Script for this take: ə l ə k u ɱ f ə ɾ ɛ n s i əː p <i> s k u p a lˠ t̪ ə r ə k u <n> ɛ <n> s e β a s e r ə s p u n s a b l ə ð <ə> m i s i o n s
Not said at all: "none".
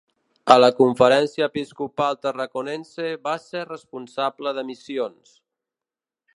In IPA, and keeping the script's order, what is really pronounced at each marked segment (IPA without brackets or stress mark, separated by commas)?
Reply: i, n, n, ə